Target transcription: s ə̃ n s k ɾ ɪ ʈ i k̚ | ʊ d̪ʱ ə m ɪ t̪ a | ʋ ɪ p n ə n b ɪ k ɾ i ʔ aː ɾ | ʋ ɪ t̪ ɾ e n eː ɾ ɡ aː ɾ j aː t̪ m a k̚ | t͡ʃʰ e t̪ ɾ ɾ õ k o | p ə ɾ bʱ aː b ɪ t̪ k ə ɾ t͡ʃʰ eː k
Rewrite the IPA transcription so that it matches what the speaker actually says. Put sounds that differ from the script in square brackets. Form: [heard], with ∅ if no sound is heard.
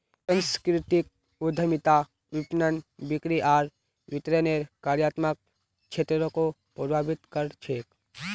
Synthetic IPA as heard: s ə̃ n s k ɾ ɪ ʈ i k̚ | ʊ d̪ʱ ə m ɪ t̪ a | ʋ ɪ p n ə n b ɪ k ɾ i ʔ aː ɾ | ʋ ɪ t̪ ɾ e n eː ɾ [k] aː ɾ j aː t̪ m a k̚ | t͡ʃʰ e t̪ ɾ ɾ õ k o | p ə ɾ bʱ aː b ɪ t̪ k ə ɾ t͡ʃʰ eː k